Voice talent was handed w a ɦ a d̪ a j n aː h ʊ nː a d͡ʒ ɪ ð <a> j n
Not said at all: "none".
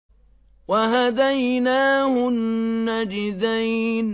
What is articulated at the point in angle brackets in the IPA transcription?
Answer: a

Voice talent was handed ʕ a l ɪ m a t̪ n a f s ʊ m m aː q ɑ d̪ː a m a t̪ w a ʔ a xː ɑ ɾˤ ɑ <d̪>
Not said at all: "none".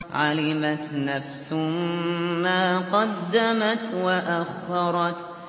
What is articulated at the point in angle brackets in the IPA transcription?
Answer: t̪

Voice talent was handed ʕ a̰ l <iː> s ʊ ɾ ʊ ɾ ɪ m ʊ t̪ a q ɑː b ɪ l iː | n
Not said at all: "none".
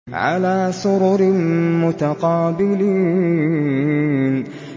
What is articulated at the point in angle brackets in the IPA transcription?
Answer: aː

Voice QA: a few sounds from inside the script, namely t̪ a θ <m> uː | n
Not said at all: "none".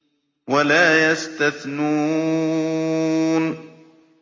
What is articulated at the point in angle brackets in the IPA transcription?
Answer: n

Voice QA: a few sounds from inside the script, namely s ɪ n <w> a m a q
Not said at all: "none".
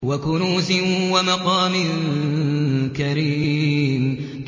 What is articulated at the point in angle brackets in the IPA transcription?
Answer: w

